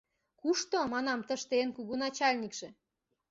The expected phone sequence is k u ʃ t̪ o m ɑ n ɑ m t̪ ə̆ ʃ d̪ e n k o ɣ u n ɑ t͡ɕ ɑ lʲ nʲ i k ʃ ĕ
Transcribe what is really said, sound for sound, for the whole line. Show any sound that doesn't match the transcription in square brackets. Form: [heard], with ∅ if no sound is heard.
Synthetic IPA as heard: k u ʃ t̪ o m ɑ n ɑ m t̪ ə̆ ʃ [t̪] e n k [u] ɣ u n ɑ t͡ɕ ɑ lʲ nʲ i k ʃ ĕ